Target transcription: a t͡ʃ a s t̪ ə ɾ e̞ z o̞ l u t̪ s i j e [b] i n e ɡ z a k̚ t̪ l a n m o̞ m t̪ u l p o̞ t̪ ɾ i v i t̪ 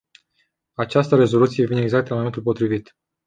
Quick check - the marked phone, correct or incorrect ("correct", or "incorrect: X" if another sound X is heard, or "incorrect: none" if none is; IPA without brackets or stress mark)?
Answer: incorrect: v